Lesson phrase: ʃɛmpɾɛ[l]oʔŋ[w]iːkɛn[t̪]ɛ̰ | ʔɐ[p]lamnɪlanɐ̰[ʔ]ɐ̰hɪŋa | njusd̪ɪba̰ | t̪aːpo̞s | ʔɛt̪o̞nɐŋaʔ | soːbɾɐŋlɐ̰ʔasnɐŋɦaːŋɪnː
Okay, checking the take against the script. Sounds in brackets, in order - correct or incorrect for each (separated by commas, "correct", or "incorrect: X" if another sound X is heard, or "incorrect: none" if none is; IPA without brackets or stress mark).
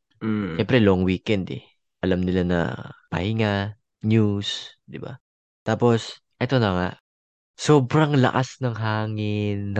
correct, correct, incorrect: d̪, incorrect: none, incorrect: p